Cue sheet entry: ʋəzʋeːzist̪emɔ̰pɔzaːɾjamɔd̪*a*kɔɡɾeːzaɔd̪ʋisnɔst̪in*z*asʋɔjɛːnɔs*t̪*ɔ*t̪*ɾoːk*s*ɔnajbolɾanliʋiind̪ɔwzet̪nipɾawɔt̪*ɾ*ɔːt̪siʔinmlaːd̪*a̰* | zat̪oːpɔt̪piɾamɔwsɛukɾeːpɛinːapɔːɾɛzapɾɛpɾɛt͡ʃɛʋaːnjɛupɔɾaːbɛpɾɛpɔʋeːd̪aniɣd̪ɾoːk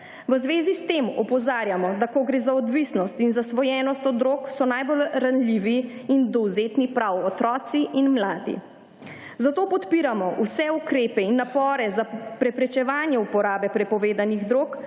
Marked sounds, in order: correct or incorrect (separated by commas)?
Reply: correct, correct, correct, incorrect, correct, correct, incorrect